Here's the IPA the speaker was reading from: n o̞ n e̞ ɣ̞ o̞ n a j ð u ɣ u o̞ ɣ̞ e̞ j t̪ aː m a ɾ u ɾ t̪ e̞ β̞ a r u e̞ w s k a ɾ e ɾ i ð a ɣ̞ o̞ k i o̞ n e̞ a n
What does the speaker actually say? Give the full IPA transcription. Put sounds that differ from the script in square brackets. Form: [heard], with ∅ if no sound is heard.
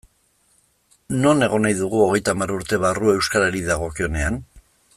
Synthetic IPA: n o̞ n e̞ ɣ̞ o̞ n a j ð u ɣ u o̞ ɣ̞ e̞ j t̪ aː m a ɾ u ɾ t̪ e̞ β̞ a r u e̞ w s k a ɾ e ɾ i ð a ɣ̞ o̞ k i o̞ n e̞ a n